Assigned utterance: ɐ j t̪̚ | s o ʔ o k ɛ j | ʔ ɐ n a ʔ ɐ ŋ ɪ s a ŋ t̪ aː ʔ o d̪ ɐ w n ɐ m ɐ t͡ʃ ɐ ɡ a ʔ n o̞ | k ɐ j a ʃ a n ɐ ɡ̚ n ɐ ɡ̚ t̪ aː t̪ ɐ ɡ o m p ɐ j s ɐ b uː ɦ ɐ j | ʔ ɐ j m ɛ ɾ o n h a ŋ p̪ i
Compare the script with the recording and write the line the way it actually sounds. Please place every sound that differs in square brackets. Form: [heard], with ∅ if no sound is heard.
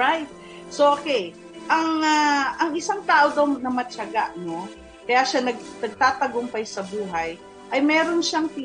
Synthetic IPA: [a] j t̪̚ | s o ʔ o k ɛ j | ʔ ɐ [ŋ] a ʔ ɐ ŋ ɪ s a ŋ t̪ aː ʔ o d̪ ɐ w n ɐ m ɐ t͡ʃ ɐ ɡ a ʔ n o̞ | k ɐ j a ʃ a n ɐ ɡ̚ n ɐ ɡ̚ t̪ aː t̪ ɐ ɡ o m p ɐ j s ɐ b uː ɦ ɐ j | ʔ ɐ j m [ɛː] ɾ o n [ʃ] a ŋ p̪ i